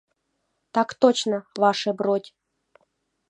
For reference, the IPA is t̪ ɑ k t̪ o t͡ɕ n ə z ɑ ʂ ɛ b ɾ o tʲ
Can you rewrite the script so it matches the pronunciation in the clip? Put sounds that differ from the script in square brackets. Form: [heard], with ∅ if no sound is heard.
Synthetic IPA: t̪ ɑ k t̪ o t͡ɕ n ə [v] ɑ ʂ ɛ b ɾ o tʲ